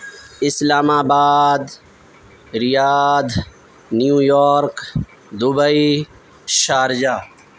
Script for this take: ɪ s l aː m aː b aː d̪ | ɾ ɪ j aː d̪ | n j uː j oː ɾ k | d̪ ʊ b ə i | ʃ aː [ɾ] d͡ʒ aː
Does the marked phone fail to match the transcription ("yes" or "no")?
no